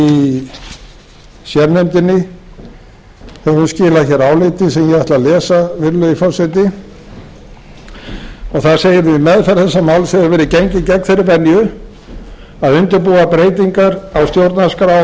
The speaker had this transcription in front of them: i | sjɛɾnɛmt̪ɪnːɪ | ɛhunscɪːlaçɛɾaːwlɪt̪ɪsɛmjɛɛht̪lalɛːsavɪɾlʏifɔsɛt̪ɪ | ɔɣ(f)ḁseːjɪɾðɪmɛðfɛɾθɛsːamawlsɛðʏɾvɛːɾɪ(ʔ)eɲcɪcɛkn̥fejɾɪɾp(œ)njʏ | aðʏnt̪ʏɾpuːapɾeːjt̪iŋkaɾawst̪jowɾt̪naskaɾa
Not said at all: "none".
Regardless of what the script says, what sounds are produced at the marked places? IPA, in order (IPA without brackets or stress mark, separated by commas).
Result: θ, c, ɛ